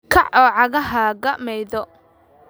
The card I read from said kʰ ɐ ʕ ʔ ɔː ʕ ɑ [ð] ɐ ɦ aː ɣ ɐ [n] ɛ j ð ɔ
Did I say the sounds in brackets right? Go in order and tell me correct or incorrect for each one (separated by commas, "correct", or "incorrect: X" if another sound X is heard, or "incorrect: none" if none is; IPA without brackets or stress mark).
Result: incorrect: ɣ, incorrect: m